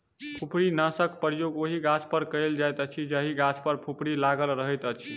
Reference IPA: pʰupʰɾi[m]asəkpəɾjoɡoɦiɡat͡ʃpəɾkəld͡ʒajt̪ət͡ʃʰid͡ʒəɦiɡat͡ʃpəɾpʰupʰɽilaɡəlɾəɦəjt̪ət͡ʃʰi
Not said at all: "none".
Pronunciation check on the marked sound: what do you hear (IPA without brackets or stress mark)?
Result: n